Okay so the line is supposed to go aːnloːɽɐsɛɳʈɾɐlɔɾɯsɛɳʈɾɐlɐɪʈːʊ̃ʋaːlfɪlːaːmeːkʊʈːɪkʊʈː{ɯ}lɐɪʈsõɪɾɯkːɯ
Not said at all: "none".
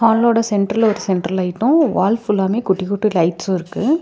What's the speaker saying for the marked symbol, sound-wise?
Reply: ɯ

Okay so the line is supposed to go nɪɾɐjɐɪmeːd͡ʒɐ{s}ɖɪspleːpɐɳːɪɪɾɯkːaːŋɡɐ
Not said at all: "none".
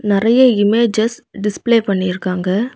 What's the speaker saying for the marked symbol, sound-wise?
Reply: s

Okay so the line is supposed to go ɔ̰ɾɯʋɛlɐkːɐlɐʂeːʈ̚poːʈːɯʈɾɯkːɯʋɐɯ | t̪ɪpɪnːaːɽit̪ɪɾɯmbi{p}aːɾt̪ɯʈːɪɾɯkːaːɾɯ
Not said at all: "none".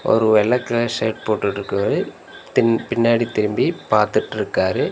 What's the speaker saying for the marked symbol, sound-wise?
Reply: p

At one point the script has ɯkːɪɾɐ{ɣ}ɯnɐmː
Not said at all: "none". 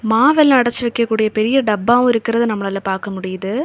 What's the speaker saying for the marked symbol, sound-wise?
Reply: ð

